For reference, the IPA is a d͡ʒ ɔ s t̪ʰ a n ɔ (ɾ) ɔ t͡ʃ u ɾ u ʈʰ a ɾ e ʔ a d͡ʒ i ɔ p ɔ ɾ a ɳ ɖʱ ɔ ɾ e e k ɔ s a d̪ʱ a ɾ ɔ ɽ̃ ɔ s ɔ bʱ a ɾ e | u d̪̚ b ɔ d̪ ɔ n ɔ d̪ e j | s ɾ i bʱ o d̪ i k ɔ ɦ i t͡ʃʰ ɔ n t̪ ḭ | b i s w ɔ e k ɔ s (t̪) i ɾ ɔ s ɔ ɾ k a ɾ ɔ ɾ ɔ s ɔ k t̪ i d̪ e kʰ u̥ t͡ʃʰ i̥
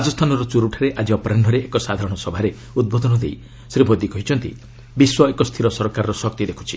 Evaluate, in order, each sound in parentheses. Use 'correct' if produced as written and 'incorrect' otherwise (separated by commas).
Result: correct, incorrect